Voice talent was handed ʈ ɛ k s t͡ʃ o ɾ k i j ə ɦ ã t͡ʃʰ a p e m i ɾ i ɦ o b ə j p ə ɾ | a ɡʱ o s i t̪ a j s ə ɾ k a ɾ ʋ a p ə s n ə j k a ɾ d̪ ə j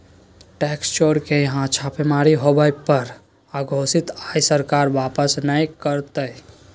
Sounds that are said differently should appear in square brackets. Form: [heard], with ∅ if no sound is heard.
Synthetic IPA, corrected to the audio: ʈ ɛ k s t͡ʃ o ɾ k [e] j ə ɦ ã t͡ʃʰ a p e m [a] ɾ i ɦ o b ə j p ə ɾ | a ɡʱ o s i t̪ a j s ə ɾ k a ɾ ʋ a p ə s n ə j k [ə] ɾ [t̪] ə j